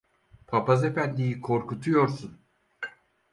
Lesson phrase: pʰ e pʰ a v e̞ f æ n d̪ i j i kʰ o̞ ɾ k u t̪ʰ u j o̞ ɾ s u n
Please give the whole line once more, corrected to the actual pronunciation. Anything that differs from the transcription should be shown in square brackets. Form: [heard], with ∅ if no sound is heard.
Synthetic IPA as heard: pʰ [a] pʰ a [z] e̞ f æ n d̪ i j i kʰ o̞ ɾ k u t̪ʰ u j o̞ ɾ s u n